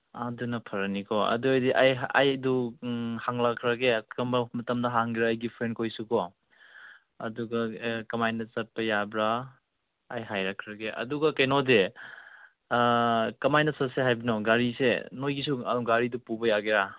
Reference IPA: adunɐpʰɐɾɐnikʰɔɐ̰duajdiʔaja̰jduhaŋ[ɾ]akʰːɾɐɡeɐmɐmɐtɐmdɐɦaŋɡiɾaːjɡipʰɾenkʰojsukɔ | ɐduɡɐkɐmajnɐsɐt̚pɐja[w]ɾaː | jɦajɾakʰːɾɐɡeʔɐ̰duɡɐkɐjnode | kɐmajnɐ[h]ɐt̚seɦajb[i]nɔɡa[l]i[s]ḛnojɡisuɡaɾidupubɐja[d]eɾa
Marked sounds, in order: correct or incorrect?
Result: incorrect, incorrect, incorrect, correct, incorrect, correct, incorrect

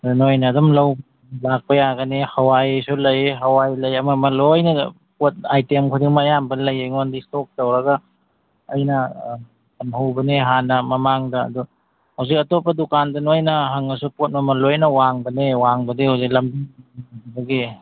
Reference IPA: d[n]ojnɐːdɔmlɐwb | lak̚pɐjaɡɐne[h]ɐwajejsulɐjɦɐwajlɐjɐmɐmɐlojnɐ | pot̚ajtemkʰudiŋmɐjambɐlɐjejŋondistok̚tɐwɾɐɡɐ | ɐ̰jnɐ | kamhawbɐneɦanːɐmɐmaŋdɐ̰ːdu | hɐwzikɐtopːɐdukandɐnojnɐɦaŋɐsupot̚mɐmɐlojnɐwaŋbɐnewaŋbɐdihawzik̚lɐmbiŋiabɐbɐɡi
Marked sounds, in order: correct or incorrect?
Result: correct, correct

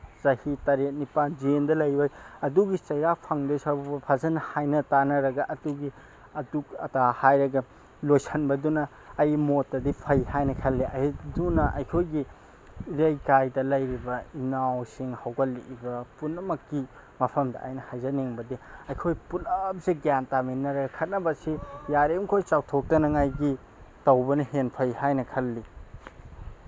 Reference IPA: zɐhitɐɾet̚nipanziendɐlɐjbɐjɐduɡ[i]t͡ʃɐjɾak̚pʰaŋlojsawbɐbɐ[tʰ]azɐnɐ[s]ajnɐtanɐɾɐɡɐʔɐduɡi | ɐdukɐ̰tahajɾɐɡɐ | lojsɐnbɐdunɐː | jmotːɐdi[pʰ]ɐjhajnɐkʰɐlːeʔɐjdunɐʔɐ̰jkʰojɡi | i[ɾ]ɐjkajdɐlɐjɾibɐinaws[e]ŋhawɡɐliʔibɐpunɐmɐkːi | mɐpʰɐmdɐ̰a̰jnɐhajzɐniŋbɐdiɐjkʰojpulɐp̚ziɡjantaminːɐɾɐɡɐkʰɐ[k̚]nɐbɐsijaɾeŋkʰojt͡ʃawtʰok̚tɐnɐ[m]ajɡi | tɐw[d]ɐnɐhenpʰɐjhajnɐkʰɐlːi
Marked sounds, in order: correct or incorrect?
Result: correct, incorrect, incorrect, correct, correct, incorrect, incorrect, incorrect, incorrect

